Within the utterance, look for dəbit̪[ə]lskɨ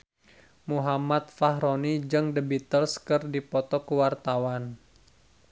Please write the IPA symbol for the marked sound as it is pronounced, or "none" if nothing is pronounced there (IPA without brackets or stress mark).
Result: ə